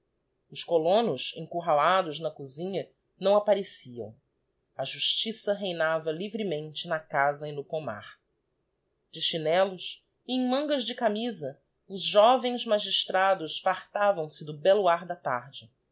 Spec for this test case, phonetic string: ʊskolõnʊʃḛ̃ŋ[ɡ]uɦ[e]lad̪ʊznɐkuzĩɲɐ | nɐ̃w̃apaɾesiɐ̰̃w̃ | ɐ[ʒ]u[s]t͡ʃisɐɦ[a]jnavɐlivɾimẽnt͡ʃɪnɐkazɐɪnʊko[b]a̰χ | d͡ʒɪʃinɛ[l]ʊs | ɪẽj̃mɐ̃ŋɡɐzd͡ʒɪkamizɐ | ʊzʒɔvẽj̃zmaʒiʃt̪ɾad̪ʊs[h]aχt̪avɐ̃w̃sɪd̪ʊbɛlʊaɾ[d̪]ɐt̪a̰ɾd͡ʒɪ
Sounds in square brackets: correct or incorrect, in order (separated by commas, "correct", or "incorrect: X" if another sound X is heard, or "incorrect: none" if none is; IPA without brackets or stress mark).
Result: incorrect: k, incorrect: a, correct, incorrect: ʃ, incorrect: e, incorrect: m, correct, incorrect: f, correct